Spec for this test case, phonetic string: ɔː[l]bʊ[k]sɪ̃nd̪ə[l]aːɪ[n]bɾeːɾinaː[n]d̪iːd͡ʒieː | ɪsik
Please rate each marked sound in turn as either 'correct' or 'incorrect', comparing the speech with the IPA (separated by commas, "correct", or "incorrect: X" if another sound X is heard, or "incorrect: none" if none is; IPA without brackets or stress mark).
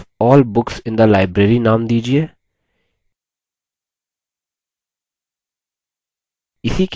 correct, correct, correct, incorrect: none, incorrect: m